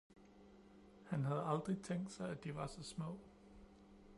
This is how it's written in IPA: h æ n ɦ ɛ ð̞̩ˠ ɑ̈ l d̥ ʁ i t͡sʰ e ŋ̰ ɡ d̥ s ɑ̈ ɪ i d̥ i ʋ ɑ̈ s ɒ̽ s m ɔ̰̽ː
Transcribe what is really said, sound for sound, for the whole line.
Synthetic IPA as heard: h æ n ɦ æ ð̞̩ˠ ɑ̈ l d̥ ʁ i t͡sʰ e ŋ̰ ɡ d̥ s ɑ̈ ɪ æ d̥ i ʋ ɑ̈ s ɒ̽ s m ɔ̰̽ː